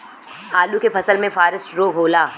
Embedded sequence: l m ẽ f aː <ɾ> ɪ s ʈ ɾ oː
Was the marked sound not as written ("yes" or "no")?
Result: no